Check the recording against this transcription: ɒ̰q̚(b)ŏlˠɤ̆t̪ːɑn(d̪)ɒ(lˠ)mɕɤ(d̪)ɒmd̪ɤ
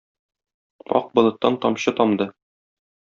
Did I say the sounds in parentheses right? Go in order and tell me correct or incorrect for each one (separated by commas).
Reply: correct, incorrect, incorrect, incorrect